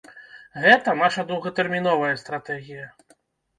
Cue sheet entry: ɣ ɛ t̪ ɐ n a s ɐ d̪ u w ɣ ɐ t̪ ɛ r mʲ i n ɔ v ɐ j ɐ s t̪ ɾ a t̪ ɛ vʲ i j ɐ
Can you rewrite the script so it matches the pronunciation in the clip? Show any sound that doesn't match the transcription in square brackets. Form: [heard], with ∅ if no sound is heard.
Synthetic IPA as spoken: ɣ ɛ t̪ ɐ n a [ʂ] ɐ d̪ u w ɣ ɐ t̪ ɛ r mʲ i n ɔ v ɐ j ɐ s t̪ ɾ a t̪ ɛ [ɣʲ] i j ɐ